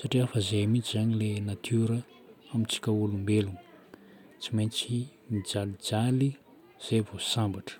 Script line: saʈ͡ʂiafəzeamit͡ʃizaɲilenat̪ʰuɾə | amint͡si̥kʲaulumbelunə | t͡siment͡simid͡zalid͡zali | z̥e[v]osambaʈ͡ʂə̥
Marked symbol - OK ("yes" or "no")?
yes